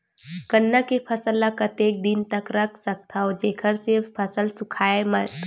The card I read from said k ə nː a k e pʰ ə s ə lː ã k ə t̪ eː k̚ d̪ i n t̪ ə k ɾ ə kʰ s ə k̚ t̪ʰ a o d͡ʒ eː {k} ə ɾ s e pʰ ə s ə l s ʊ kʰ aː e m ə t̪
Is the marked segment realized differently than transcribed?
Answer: yes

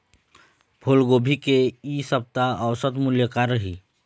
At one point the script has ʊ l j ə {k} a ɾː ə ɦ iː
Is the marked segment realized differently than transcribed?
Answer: no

